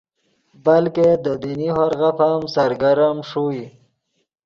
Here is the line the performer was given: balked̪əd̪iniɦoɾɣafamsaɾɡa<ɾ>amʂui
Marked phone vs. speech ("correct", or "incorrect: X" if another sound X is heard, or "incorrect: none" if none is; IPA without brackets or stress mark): correct